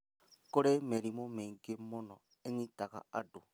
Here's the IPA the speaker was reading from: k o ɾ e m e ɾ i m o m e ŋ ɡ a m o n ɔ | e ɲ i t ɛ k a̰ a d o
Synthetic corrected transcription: k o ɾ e m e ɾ i m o m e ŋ ɡ e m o n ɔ | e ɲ i t a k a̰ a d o